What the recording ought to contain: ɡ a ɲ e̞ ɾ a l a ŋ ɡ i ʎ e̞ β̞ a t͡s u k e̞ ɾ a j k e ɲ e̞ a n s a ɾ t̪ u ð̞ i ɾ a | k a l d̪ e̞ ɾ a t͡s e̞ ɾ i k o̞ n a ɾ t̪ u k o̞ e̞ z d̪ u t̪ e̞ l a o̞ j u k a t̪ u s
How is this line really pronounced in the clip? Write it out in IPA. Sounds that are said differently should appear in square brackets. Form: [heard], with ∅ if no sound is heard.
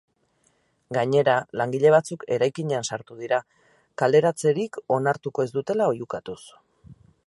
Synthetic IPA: ɡ a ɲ e̞ ɾ a l a ŋ ɡ i ʎ e̞ β̞ a t͡s u k e̞ ɾ a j k [i] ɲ e̞ a n s a ɾ t̪ u ð̞ i ɾ a | k a l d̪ e̞ ɾ a t͡s e̞ ɾ i k o̞ n a ɾ t̪ u k o̞ e̞ z d̪ u t̪ e̞ l a o̞ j u k a t̪ u s